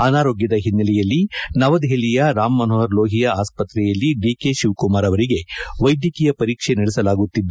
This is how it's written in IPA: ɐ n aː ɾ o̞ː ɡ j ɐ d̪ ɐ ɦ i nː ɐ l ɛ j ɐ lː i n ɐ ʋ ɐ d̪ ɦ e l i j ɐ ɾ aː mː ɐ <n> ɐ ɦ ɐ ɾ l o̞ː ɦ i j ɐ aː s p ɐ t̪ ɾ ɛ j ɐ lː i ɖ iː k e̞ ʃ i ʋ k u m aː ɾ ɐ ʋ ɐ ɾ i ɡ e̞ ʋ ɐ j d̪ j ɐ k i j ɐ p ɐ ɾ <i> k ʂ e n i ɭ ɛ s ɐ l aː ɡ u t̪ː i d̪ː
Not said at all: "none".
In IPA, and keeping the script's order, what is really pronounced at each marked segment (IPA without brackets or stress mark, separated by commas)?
n, iː